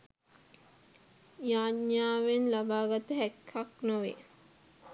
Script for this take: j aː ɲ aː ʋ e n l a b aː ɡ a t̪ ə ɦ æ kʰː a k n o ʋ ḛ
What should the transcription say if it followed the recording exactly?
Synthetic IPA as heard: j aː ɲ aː ʋ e n l a b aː ɡ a t̪ ə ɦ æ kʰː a k n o ʋ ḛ